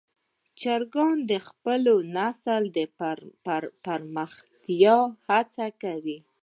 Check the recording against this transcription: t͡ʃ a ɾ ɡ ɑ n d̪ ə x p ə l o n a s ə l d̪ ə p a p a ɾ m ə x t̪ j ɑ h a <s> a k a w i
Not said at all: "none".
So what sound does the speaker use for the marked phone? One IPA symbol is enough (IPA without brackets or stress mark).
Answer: t͡s